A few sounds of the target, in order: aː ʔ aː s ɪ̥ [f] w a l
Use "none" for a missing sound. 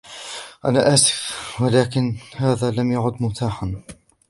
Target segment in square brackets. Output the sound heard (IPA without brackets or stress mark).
f